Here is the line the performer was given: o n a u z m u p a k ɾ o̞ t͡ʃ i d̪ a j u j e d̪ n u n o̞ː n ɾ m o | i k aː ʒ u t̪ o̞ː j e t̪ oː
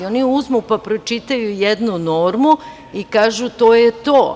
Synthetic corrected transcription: o n i u z m u p a p ɾ o̞ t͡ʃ i t̪ a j u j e d̪ n u n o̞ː ɾ m u | i k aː ʒ u t̪ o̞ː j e t̪ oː